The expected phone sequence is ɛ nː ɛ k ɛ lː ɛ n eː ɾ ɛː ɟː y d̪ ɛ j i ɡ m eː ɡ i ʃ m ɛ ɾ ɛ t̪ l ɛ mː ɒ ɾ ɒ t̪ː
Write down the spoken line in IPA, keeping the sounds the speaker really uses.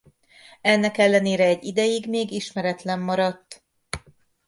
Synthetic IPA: ɛ nː ɛ k ɛ lː ɛ n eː ɾ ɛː ɟː i d̪ ɛ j i ɡ m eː ɡ i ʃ m ɛ ɾ ɛ t̪ l ɛ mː ɒ ɾ ɒ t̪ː